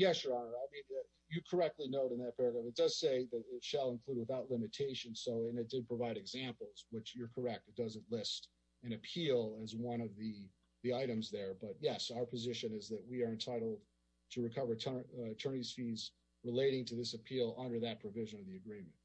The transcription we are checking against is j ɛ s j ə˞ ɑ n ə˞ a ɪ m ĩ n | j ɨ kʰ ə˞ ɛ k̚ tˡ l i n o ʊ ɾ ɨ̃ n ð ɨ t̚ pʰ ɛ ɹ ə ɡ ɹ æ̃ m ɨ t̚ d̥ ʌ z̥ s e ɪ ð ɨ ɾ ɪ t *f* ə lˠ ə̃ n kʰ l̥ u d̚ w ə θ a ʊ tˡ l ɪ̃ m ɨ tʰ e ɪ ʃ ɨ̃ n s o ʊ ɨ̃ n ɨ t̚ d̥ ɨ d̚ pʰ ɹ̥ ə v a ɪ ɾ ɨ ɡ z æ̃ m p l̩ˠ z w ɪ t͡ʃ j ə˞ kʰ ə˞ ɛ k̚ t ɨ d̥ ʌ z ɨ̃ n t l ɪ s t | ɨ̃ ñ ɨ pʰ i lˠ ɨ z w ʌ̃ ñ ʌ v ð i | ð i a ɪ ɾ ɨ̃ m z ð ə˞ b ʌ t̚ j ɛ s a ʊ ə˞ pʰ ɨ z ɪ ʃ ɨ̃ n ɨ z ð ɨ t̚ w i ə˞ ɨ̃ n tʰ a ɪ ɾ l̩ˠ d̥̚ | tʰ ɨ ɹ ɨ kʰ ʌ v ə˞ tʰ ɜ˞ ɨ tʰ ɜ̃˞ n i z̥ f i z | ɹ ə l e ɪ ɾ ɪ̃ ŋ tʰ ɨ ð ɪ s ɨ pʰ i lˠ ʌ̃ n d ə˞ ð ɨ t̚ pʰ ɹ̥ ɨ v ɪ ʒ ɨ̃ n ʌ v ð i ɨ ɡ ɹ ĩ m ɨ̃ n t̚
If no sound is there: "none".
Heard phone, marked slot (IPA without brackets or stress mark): ʃ